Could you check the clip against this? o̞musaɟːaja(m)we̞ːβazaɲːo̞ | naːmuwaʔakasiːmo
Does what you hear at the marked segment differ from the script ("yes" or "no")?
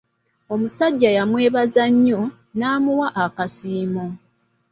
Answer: no